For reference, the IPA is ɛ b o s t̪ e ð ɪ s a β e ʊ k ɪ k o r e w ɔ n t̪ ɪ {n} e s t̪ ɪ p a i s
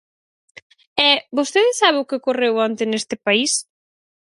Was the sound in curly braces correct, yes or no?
yes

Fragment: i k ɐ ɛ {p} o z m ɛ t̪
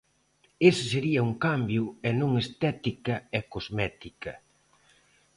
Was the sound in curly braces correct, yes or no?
no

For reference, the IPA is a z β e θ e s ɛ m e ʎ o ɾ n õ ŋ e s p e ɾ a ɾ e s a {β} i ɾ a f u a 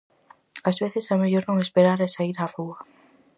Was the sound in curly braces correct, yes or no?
no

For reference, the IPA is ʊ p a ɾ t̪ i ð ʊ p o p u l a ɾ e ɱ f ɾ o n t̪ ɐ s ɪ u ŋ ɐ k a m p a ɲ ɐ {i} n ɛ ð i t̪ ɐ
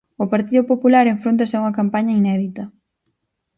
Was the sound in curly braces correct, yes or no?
yes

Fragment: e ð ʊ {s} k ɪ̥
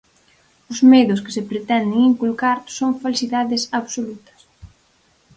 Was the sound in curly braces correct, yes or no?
yes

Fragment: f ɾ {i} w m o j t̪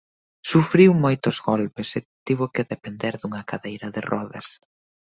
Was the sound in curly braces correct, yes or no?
yes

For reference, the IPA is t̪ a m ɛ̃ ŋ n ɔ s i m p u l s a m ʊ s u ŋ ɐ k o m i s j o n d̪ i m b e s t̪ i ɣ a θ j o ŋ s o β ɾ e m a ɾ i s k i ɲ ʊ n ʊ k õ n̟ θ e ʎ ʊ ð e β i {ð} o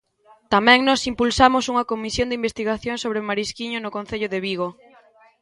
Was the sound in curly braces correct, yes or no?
no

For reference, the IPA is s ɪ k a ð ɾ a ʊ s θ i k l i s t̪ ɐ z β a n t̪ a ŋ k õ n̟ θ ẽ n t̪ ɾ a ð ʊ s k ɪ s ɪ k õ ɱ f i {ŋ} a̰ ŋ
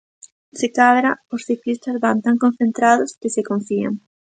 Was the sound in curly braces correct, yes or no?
no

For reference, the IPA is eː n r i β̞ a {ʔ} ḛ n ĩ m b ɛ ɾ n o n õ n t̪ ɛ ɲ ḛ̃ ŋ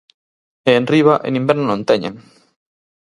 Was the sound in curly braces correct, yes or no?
yes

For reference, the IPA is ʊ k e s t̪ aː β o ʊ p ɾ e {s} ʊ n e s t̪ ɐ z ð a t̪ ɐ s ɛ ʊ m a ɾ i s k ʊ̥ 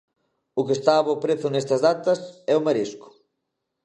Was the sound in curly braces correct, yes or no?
no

